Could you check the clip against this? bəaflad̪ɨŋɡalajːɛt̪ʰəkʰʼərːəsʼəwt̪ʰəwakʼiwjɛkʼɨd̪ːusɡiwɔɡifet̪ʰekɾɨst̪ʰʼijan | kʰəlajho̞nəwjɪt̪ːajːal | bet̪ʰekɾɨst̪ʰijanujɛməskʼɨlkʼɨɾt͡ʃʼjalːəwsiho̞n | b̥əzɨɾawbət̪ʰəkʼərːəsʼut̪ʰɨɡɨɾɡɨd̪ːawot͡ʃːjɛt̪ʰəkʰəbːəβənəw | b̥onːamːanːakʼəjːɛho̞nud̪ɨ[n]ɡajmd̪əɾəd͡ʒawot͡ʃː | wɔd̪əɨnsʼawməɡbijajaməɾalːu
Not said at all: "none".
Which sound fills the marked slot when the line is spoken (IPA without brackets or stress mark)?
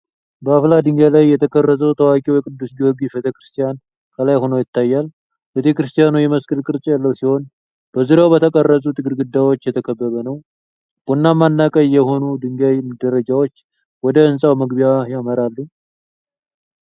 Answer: ŋ